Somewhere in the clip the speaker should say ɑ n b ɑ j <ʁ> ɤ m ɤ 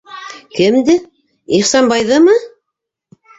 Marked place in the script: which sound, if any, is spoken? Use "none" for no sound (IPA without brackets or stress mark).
ð